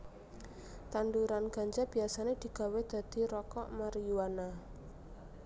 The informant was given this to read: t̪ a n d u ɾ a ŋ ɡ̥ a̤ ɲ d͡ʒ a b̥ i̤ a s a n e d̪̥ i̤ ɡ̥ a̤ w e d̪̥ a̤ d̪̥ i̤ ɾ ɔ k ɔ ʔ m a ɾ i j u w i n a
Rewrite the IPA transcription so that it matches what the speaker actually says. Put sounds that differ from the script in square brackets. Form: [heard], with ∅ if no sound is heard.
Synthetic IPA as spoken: t̪ a n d u ɾ a [n] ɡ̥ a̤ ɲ d͡ʒ a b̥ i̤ a s a n e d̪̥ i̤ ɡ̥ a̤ w e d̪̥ a̤ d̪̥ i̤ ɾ ɔ k ɔ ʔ m a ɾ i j u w [a] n a